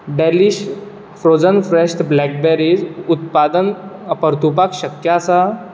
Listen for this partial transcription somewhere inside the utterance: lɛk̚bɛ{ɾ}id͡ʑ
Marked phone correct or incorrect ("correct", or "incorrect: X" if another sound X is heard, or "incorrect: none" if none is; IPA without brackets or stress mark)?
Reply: correct